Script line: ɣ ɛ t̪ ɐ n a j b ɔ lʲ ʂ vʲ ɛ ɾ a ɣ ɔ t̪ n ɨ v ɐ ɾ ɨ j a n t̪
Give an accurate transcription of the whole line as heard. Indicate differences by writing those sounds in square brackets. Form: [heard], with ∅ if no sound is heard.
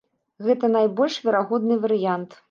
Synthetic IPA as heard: ɣ ɛ t̪ ɐ n a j b ɔ lʲ ʂ vʲ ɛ ɾ a ɣ ɔ [d̪] n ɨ v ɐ ɾ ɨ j a n t̪